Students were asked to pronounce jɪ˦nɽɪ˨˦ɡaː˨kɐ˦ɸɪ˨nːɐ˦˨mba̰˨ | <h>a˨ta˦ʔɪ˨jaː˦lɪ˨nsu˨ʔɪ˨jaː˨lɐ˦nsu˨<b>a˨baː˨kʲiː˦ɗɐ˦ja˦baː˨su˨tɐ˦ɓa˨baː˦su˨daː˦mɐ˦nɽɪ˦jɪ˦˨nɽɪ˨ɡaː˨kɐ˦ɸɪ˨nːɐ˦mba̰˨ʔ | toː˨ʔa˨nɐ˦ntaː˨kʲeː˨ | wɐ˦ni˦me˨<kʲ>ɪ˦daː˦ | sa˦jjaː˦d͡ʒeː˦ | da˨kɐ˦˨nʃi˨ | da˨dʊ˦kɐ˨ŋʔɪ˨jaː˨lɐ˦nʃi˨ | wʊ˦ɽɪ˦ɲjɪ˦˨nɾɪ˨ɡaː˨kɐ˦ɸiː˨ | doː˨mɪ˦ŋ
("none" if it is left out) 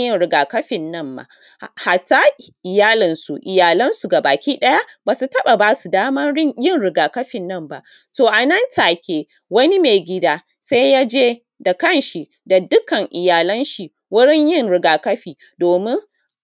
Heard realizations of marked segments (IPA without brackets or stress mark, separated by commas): h, ɡ, ɡʲ